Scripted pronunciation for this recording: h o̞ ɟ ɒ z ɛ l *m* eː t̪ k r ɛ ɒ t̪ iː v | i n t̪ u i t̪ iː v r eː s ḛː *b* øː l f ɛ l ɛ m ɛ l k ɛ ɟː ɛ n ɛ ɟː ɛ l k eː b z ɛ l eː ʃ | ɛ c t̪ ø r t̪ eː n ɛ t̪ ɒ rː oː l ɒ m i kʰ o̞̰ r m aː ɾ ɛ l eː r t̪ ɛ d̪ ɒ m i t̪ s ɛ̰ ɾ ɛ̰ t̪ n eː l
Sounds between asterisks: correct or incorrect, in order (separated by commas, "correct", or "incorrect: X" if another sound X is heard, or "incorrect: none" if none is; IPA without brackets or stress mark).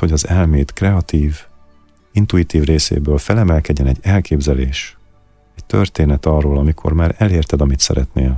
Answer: correct, correct